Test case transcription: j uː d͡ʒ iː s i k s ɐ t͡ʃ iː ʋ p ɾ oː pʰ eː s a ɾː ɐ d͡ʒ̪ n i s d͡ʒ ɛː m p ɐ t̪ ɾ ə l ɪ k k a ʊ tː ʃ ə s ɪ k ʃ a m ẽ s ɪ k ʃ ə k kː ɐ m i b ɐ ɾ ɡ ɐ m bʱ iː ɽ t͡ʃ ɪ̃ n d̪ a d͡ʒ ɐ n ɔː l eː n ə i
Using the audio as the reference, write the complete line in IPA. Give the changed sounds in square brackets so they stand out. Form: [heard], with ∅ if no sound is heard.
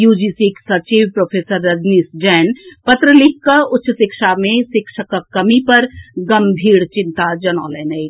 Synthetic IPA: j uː d͡ʒ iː s i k s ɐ t͡ʃ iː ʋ p ɾ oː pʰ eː s [ə] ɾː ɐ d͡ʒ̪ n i s d͡ʒ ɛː [n] p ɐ t̪ ɾ ə l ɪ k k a ʊ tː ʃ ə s ɪ k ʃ a m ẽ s ɪ k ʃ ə k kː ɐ m i [p] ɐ ɾ ɡ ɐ m bʱ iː ɽ t͡ʃ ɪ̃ n [t̪] a d͡ʒ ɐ n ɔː l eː n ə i